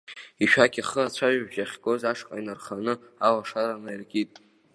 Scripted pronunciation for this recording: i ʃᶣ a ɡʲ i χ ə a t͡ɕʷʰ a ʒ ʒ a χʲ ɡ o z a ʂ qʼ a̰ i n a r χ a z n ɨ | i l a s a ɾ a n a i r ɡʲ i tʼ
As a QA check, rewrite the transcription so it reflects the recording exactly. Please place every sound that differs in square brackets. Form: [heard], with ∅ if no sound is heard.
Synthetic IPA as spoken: i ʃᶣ a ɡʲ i χ ə a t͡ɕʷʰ a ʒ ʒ a χʲ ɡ o z a ʂ qʼ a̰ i n a r χ a [∅] n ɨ | [a] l a [ʂ] a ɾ a n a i r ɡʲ i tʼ